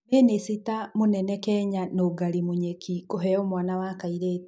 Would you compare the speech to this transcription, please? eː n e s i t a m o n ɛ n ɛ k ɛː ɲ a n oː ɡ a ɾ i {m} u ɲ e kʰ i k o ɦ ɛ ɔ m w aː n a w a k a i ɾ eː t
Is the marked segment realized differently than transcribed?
no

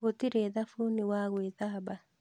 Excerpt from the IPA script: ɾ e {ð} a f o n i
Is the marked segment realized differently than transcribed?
no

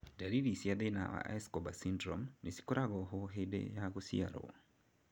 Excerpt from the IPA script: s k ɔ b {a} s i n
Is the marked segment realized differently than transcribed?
no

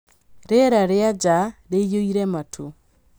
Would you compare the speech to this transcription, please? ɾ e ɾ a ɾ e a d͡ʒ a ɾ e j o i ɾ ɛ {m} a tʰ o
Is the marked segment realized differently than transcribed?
no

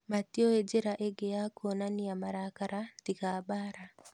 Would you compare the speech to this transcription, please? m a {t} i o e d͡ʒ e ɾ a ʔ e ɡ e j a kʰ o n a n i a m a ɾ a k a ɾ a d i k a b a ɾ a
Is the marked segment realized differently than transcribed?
no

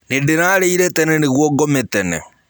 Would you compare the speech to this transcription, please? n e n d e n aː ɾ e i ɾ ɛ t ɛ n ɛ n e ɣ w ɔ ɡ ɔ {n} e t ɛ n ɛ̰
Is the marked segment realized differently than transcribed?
yes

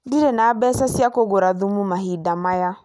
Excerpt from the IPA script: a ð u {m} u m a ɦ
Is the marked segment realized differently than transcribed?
no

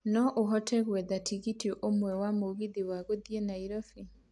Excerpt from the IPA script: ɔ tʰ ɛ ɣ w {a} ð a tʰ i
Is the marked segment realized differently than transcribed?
yes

